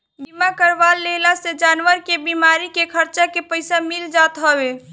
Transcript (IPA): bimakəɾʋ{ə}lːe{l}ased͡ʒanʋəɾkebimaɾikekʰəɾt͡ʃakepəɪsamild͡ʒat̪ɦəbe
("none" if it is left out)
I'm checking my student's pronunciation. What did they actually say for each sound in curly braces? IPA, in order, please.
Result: a, l

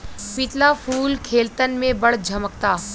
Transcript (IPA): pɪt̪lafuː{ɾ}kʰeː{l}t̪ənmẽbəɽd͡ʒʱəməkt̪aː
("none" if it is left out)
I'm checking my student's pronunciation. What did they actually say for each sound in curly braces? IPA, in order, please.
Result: l, l

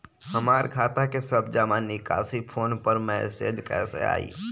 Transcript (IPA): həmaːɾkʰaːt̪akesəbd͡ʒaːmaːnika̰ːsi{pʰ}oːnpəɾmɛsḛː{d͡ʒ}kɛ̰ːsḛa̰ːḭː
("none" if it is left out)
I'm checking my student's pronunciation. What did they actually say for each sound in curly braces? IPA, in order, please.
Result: pʰ, d͡ʒ

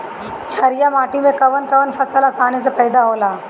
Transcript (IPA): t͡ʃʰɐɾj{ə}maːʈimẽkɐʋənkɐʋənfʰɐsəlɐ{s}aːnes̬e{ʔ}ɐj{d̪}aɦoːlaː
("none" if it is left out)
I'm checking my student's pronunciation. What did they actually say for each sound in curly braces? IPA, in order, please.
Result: a, s, p, d̪

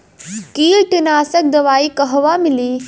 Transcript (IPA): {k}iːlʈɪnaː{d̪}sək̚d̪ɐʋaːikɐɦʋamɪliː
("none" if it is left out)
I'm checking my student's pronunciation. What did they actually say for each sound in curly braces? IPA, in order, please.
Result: k, none

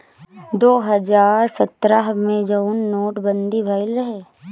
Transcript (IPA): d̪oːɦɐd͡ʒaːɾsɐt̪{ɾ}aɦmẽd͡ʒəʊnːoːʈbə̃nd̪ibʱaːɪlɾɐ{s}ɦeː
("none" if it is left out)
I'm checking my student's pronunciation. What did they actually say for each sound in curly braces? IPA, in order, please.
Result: ɾ, none

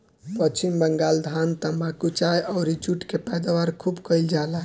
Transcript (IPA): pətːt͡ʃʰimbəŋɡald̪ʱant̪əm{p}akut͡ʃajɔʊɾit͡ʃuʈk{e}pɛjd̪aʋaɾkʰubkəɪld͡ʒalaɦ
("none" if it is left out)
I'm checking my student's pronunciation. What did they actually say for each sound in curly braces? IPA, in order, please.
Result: b, e

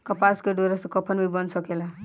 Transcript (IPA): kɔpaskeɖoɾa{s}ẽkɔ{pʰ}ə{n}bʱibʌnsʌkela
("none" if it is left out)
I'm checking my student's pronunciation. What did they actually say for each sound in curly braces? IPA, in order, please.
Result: s, pʰ, n

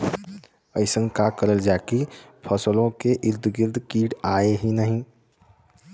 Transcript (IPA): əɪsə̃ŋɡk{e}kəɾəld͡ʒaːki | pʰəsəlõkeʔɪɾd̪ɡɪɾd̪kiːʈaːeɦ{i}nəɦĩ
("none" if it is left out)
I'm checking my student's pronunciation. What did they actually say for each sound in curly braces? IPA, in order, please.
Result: a, i

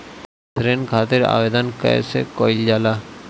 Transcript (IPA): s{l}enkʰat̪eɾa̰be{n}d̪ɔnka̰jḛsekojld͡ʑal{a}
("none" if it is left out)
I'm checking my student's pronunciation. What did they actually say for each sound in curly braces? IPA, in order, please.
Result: ɾ, none, a

